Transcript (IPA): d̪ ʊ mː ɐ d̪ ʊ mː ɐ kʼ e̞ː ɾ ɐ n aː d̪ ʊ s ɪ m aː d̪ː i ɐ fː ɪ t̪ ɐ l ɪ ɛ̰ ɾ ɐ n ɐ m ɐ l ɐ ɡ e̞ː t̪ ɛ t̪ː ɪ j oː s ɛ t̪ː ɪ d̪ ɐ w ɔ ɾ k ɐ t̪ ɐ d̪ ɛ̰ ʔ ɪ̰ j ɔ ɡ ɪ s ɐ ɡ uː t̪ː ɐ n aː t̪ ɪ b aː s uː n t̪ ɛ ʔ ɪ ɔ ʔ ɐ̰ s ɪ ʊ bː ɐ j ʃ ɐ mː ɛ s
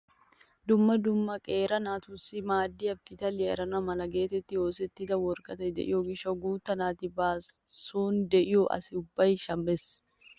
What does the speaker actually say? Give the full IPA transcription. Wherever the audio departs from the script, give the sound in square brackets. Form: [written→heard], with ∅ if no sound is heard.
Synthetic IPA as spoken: d̪ ʊ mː ɐ d̪ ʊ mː ɐ kʼ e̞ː ɾ ɐ n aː [d̪→t̪] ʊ s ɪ m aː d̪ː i ɐ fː ɪ t̪ ɐ l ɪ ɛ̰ ɾ ɐ n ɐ m ɐ l ɐ ɡ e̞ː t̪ ɛ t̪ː ɪ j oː s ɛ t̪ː ɪ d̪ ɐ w ɔ ɾ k ɐ t̪ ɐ d̪ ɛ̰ ʔ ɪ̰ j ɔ ɡ ɪ [s→ʃ] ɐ ɡ uː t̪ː ɐ n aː t̪ ɪ b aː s uː n [t̪→d̪] ɛ ʔ ɪ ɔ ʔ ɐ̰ s ɪ ʊ bː ɐ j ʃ ɐ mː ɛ s